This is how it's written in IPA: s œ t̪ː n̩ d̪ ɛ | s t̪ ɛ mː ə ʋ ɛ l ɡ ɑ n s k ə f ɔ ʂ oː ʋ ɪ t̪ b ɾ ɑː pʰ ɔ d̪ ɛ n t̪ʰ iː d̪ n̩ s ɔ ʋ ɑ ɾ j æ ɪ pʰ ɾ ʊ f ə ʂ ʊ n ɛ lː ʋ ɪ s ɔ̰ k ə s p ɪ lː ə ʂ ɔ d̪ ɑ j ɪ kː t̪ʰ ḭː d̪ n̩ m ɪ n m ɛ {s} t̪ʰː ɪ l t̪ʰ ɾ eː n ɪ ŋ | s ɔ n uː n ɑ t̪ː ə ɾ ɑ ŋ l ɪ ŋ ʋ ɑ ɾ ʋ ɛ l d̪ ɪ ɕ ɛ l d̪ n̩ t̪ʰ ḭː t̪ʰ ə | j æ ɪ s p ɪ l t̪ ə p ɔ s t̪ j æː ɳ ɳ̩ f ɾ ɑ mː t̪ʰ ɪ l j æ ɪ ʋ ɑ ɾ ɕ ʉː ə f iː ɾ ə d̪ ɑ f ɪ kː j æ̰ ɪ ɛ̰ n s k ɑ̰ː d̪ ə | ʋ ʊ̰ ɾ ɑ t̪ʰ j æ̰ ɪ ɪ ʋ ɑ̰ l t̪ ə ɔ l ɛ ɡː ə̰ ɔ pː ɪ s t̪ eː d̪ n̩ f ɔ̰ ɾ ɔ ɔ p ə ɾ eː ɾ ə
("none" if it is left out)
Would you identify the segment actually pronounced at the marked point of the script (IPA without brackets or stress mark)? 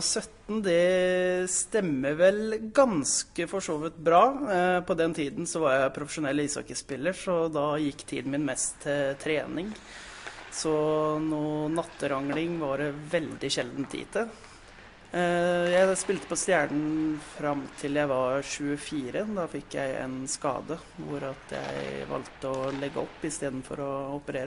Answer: s